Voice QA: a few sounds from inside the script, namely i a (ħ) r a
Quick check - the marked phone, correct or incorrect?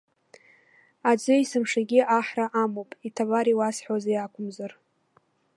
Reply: correct